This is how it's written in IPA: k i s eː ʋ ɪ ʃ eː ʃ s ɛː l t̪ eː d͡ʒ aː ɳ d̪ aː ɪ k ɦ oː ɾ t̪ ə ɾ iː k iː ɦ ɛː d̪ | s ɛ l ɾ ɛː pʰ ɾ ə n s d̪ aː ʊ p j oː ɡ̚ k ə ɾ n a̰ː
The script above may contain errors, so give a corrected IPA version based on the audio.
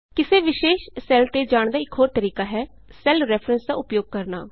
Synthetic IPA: k ɪ s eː ʋ ɪ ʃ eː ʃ s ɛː l t̪ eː d͡ʒ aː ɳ d̪ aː ɪ k ɦ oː ɾ t̪ ə ɾ iː k aː ɦ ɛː | s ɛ l ɾ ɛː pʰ ɾ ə n s d̪ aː ʊ p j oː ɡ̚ k ə ɾ n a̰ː